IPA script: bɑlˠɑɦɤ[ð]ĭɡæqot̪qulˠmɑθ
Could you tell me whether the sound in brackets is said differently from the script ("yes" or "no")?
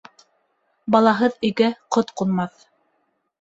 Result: no